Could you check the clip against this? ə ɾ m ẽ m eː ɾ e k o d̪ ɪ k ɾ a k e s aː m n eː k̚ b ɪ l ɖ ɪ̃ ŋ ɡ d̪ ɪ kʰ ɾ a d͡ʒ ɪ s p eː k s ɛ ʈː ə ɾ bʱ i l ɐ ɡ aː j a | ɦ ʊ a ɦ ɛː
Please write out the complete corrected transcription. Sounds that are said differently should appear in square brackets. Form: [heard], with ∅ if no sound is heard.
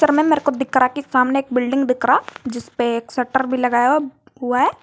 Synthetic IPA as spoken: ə ɾ m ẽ m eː ɾ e k o d̪ ɪ k ɾ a k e s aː m n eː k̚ b ɪ l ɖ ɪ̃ ŋ ɡ d̪ ɪ [k] ɾ a d͡ʒ ɪ s p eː k s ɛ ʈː ə ɾ bʱ i l ɐ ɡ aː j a | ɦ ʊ a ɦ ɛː